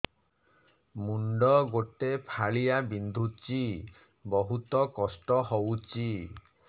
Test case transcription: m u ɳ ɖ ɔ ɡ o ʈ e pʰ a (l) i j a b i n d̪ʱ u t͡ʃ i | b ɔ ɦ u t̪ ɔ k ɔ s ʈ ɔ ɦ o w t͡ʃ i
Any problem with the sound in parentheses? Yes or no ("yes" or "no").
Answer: yes